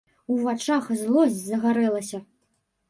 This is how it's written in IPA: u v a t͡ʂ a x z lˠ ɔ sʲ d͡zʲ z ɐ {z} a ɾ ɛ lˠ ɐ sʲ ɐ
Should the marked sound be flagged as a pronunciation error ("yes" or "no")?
yes